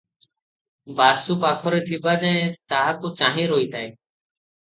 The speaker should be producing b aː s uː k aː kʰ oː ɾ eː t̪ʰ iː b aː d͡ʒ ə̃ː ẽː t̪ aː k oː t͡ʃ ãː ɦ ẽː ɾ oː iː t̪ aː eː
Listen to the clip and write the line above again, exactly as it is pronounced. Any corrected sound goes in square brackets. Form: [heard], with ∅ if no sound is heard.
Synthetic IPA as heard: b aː s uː [p] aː kʰ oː ɾ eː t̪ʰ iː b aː d͡ʒ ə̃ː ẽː t̪ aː k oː t͡ʃ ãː ɦ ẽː ɾ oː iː t̪ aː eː